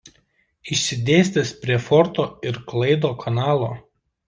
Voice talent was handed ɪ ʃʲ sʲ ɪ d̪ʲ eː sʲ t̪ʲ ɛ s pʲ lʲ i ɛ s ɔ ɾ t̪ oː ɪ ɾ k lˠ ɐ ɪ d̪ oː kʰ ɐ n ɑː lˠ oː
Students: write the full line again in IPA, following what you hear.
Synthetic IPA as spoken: ɪ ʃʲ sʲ ɪ d̪ʲ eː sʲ t̪ʲ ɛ s pʲ ɾʲ i ɛ f ɔ ɾ t̪ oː ɪ ɾ k lˠ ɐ ɪ d̪ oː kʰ ɐ n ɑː lˠ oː